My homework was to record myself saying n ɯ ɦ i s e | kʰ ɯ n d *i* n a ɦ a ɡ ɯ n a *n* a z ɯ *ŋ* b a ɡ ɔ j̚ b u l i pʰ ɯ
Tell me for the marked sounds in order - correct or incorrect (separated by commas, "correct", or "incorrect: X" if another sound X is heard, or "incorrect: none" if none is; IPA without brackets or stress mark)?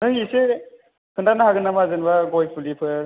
incorrect: a, incorrect: m, incorrect: n